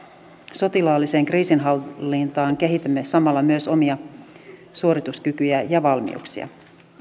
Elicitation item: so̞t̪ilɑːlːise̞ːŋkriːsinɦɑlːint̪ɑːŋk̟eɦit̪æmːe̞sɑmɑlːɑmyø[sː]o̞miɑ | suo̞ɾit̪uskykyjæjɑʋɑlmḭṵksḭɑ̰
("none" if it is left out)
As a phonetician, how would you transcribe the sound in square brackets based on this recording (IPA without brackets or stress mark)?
s